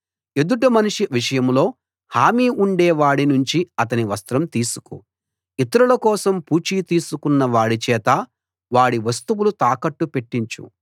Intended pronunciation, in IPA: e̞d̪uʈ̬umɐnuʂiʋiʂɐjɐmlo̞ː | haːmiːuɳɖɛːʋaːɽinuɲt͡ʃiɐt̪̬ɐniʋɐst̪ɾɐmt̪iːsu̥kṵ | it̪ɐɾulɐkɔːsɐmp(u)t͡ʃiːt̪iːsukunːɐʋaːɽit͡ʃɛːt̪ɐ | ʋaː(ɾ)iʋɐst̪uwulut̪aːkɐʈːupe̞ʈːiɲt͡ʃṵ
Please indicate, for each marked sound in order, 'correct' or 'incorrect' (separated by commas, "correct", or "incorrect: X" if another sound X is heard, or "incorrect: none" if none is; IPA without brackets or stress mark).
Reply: incorrect: uː, incorrect: ɽ